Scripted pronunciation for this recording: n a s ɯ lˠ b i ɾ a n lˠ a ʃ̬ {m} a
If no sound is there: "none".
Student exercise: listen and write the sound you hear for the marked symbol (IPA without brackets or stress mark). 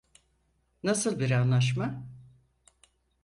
m